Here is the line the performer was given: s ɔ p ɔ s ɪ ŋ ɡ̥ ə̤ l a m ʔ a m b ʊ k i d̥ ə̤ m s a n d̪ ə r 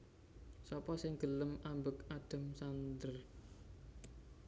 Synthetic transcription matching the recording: s ɔ p ɔ s ɪ ŋ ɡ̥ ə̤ l ə m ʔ a m b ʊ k a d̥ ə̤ m s a n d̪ ə r